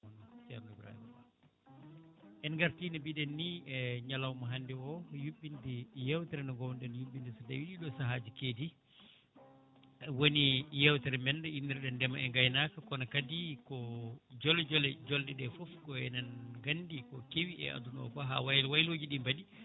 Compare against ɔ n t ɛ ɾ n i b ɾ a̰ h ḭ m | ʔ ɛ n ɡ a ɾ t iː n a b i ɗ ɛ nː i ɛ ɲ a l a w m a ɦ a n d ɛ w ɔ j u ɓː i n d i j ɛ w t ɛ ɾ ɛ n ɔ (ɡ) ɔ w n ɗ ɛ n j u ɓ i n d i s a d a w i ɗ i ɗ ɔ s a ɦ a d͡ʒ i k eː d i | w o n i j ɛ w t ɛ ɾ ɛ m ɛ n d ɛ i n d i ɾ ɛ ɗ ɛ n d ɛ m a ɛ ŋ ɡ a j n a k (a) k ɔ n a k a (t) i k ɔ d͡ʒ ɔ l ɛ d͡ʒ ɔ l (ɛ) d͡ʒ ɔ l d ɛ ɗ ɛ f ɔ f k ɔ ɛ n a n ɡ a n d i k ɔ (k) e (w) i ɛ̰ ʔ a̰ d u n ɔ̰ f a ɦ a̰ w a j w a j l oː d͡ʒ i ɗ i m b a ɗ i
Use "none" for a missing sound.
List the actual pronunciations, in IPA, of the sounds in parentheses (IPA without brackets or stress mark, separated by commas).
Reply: ɡ, a, d, ɛ, k, w